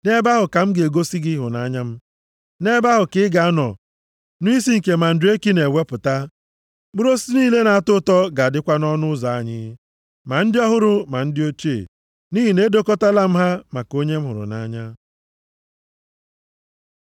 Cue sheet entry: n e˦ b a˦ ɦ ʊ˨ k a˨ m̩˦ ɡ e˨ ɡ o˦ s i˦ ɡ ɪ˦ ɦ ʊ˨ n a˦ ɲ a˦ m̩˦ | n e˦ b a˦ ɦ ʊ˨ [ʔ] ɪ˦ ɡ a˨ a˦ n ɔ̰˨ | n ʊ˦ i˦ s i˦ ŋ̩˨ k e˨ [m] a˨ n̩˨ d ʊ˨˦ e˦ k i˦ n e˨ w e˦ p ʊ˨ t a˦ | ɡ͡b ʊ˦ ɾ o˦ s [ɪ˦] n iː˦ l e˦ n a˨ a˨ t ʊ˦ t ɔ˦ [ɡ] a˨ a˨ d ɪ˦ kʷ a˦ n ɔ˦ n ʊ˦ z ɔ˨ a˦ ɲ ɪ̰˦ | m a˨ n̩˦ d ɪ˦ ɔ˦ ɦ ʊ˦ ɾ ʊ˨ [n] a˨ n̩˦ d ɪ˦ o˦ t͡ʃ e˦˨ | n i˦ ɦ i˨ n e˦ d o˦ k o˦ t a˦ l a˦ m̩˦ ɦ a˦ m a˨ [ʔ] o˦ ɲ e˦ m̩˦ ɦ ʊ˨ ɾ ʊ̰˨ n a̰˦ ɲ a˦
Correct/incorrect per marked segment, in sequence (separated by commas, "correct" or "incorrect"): incorrect, correct, incorrect, correct, incorrect, incorrect